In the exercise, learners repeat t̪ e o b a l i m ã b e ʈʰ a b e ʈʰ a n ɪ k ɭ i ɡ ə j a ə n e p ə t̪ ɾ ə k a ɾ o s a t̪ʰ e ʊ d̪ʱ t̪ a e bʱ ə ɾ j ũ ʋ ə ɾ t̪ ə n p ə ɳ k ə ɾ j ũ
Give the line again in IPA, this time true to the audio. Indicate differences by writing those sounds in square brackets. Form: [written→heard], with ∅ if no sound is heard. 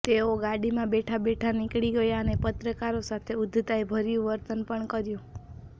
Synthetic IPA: t̪ e o [b→ɡ] a [l→ɽ] i m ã b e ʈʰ a b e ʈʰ a n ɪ k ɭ i ɡ ə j a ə n e p ə t̪ ɾ ə k a ɾ o s a t̪ʰ e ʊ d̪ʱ t̪ a e bʱ ə ɾ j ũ ʋ ə ɾ t̪ ə n p ə ɳ k ə ɾ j ũ